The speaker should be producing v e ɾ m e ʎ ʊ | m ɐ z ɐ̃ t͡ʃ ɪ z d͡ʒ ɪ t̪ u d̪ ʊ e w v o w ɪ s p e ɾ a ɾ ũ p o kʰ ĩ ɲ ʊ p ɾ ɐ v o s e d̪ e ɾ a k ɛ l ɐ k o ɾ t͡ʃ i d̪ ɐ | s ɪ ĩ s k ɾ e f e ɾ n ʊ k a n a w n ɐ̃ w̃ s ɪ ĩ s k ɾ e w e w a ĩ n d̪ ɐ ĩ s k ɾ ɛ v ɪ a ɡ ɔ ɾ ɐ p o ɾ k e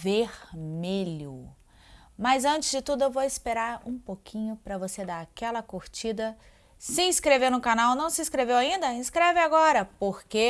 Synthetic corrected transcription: v e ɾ m e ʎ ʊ | m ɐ z ɐ̃ t͡ʃ ɪ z d͡ʒ ɪ t̪ u d̪ ʊ e w v o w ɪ s p e ɾ a ɾ ũ p o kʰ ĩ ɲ ʊ p ɾ ɐ v o s e d̪ a ɾ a k ɛ l ɐ k o ɾ t͡ʃ i d̪ ɐ | s ɪ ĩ s k ɾ e v e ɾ n ʊ k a n a w n ɐ̃ w̃ s ɪ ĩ s k ɾ e v e w a ĩ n d̪ ɐ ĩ s k ɾ ɛ v ɪ a ɡ ɔ ɾ ɐ p o ɾ k e

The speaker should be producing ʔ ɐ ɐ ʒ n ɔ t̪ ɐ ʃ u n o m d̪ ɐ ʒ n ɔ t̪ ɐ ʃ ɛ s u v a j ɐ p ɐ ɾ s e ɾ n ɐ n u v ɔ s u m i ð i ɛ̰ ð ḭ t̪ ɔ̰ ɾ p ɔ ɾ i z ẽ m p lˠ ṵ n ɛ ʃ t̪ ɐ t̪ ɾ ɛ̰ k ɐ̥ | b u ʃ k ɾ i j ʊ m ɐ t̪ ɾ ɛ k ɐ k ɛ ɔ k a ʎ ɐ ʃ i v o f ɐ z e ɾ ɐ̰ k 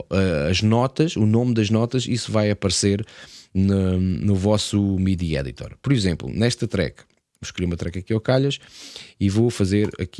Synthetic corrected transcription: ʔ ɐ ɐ ʒ n ɔ t̪ ɐ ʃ u n o m d̪ ɐ ʒ n ɔ t̪ ɐ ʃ i s u v a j ɐ p ɐ ɾ s e ɾ n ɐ n u v ɔ s u m i ð i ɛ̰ ð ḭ t̪ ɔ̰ ɾ p ɔ ɾ i z ẽ m p lˠ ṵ n ɛ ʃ t̪ ɐ t̪ ɾ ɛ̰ k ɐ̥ | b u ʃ k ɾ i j u m ɐ t̪ ɾ ɛ k ɐ k i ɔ k a ʎ ɐ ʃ i v o f ɐ z e ɾ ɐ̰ k

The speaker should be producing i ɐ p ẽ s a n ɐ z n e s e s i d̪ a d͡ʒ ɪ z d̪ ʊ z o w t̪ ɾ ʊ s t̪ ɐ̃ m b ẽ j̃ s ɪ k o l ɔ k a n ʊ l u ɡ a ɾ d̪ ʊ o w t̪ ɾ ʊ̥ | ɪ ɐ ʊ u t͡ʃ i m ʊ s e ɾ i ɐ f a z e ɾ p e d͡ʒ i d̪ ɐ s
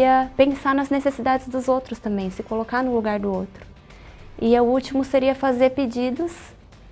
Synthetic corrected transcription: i ɐ p ẽ s a n ɐ z n e s e s i d̪ a d͡ʒ ɪ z d̪ ʊ z o w t̪ ɾ ʊ s t̪ ɐ̃ m b ẽ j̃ s ɪ k o l o k a n ʊ l u ɡ a ɾ d̪ ʊ o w t̪ ɾ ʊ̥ | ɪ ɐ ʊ u t͡ʃ i m ʊ s e ɾ i ɐ f a z e ɾ p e d͡ʒ i d̪ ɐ s

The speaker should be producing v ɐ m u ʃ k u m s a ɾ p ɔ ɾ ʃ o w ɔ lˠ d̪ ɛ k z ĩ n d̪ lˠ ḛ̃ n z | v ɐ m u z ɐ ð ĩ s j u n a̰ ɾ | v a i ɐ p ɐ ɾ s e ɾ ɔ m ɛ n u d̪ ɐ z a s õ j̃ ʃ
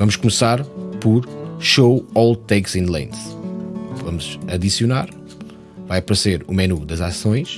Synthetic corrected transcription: v ɐ m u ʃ k u m s a ɾ p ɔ ɾ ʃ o w ɔ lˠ t̪ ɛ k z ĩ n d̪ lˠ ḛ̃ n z | v ɐ m u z ɐ ð i s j u n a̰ ɾ | v a j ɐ p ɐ ɾ s e ɾ u m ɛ n u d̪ ɐ z a s õ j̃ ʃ

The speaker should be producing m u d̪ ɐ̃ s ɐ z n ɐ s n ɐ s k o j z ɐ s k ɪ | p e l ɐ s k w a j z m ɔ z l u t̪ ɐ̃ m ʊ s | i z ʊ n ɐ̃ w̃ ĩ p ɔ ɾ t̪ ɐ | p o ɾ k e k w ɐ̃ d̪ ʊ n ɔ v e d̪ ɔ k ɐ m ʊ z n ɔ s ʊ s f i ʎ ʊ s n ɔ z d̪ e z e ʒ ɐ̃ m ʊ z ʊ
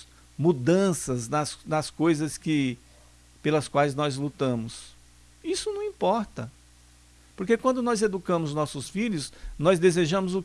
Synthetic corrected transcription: m u d̪ ɐ̃ s ɐ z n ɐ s n ɐ s k o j z ɐ s k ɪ | p e l ɐ s k w a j z n ɔ z l u t̪ ɐ̃ m ʊ s | i s ʊ n ɐ̃ w̃ ĩ p ɔ ɾ t̪ ɐ | p o ɾ k e k w ɐ̃ d̪ ʊ n ɔ z e d̪ u k ɐ̃ m ʊ z n ɔ s ʊ s f i ʎ ʊ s n ɔ z d̪ e z e ʒ ɐ̃ m ʊ z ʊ

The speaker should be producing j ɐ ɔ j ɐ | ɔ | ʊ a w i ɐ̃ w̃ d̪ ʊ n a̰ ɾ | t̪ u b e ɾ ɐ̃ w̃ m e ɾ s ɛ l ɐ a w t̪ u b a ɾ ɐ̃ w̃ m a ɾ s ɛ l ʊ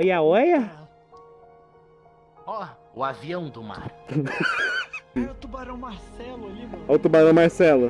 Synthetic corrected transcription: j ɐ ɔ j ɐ | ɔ | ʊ a v i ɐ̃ w̃ d̪ ʊ m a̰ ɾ | t̪ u b a ɾ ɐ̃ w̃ m a ɾ s ɛ l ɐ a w t̪ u b a ɾ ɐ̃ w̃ m a ɾ s ɛ l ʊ

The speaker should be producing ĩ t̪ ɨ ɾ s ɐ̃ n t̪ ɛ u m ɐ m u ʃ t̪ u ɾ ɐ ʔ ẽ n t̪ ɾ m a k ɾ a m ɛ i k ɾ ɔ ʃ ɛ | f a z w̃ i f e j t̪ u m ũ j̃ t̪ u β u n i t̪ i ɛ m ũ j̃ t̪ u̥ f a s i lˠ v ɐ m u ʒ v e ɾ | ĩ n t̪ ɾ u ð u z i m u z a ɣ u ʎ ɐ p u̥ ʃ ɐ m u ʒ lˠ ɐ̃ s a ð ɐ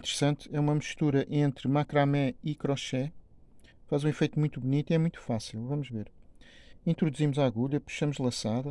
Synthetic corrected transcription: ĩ t̪ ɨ ɾ s ɐ̃ n t̪ ɛ u m ɐ m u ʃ t̪ u ɾ ɐ ʔ ẽ n t̪ ɾ m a k ɾ a m ɛ i k ɾ ɔ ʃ ɛ | f a z ũ i f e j t̪ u m ũ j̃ t̪ u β u n i t̪ i ɛ m ũ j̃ t̪ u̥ f a s i lˠ v ɐ m u ʒ v e ɾ | ĩ n t̪ ɾ u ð u z i m u z a ɣ u ʎ ɐ p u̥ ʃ ɐ m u ʒ lˠ ɐ̃ s a ð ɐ

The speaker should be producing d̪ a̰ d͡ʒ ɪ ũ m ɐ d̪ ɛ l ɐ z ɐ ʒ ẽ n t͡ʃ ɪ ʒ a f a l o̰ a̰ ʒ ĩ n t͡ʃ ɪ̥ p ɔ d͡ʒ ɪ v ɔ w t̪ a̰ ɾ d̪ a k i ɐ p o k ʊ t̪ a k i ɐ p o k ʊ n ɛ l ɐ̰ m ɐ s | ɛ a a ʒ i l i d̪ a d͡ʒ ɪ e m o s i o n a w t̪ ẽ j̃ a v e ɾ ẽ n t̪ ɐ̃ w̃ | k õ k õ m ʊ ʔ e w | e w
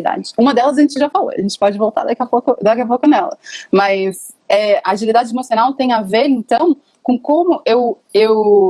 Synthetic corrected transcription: d̪ a̰ d͡ʒ ɪ ũ m ɐ d̪ ɛ l ɐ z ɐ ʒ ẽ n t͡ʃ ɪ ʒ a f a l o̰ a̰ ʒ ẽ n t͡ʃ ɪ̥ p ɔ d͡ʒ ɪ v o w t̪ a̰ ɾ d̪ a k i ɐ p o k ʊ d̪ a k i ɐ p o k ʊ n ɛ l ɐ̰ m ɐ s | ɛ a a ʒ i l i d̪ a d͡ʒ ɪ e m o s i o n a w t̪ ẽ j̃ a v e ɾ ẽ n t̪ ɐ̃ w̃ | k õ k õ m ʊ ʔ e w | e w

